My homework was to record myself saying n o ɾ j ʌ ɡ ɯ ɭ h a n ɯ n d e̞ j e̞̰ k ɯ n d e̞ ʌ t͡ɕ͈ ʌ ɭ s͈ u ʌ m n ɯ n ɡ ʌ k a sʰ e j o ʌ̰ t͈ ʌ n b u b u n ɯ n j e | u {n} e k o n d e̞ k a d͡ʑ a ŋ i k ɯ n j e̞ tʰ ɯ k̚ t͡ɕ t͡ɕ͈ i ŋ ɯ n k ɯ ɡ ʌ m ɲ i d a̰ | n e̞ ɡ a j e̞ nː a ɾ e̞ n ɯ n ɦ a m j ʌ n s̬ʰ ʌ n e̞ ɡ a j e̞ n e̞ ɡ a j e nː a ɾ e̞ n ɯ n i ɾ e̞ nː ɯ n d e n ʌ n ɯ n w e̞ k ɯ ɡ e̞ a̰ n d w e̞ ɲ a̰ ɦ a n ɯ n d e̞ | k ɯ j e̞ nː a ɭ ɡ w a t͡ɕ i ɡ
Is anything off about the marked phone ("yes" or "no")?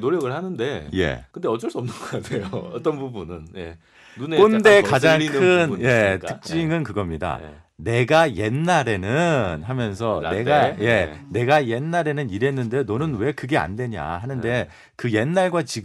no